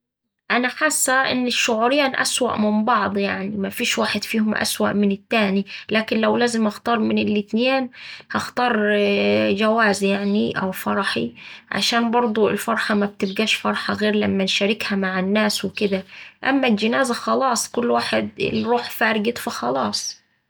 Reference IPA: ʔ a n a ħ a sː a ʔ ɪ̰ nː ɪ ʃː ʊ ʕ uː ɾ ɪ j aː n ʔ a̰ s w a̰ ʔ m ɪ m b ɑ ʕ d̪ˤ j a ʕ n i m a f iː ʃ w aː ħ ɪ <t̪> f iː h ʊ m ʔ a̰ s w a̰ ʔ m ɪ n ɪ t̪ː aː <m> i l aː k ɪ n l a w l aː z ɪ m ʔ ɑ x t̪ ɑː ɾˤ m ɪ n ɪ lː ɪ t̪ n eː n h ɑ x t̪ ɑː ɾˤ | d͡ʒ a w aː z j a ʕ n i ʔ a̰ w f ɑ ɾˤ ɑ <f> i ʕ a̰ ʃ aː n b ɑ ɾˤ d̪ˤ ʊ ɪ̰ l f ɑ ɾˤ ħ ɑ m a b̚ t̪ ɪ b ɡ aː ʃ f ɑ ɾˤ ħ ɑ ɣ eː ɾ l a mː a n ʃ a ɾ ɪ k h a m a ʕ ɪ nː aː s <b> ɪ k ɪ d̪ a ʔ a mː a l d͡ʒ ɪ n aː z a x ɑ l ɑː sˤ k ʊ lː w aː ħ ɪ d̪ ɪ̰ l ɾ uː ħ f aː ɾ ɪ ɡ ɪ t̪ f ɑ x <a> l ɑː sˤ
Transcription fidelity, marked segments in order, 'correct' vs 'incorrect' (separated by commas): incorrect, incorrect, incorrect, incorrect, incorrect